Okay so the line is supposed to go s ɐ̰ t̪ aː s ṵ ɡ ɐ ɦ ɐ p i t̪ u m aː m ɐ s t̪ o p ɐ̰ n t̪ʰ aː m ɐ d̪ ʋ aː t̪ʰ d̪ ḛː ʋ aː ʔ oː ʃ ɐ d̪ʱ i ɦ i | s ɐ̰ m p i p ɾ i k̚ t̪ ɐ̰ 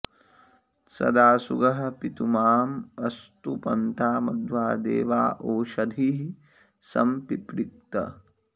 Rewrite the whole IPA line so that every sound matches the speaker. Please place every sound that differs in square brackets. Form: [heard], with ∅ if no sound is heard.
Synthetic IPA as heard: s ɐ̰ [d̪] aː s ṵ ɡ ɐ ɦ ɐ p i t̪ u m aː m ɐ s t̪ [u] p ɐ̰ n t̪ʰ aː m ɐ d̪ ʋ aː [∅] d̪ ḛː ʋ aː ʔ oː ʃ ɐ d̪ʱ i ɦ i | s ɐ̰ m p i p ɾ i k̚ t̪ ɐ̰